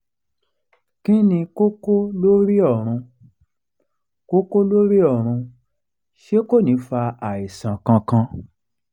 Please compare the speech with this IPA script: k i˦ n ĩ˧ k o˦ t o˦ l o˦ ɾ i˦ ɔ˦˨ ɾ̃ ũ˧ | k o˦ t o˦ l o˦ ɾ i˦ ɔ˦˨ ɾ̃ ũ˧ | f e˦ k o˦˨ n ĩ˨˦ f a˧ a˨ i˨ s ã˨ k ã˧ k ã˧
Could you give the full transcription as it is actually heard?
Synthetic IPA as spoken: k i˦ n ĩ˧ k o˦ k o˦ l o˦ ɾ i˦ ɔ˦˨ ɾ̃ ũ˧ | k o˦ k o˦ l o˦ ɾ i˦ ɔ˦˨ ɾ̃ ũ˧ | ʃ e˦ k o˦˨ n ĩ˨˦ f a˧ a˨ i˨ s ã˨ k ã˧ k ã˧